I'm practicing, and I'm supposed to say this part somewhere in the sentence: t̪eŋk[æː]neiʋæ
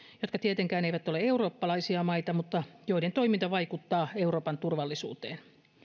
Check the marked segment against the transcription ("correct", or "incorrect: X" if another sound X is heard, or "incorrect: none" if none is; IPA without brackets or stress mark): correct